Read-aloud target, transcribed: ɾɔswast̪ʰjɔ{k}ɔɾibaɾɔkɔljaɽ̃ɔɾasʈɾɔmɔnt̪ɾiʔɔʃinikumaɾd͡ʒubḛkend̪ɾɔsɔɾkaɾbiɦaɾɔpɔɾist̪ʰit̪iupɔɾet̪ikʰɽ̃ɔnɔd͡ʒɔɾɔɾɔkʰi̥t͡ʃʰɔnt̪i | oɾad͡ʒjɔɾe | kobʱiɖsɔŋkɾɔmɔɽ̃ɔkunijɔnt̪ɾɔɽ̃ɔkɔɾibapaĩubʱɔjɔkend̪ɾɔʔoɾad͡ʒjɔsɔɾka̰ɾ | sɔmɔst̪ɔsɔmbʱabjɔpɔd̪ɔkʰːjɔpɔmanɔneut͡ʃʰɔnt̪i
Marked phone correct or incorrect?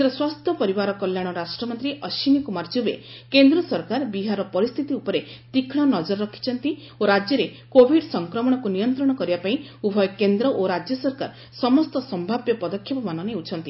incorrect